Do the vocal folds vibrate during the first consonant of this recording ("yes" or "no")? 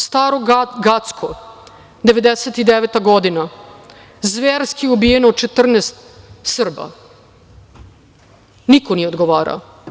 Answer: no